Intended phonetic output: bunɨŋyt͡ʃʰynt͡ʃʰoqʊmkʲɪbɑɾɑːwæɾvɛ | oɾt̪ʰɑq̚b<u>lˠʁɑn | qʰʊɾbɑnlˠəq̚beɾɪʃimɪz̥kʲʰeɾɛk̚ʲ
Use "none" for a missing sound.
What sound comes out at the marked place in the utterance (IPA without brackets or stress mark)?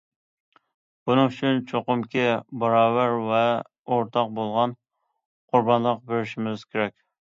o